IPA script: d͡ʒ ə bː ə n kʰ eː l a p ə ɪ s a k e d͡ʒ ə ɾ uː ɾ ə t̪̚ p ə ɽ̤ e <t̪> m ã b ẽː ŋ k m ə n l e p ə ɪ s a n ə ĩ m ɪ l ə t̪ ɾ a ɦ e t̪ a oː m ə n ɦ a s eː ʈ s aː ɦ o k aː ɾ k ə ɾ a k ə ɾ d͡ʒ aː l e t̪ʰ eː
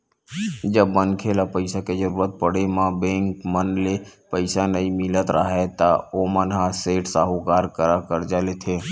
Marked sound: incorrect: none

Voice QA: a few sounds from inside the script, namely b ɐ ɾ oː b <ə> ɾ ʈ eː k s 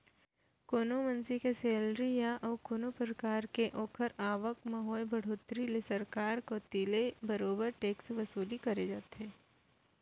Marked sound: correct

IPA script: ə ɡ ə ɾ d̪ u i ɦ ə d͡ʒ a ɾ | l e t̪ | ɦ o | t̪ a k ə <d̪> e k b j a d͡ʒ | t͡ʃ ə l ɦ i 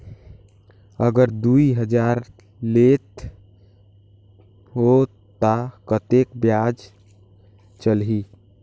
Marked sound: incorrect: t̪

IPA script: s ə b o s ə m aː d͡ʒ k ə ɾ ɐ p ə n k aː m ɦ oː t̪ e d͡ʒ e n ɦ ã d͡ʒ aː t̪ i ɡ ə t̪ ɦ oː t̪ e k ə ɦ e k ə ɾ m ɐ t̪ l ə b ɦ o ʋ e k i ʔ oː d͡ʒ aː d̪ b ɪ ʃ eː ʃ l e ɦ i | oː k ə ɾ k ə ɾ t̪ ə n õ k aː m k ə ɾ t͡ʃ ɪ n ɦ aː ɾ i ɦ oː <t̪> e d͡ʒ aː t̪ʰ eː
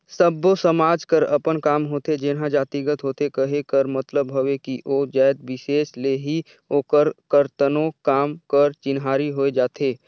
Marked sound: incorrect: none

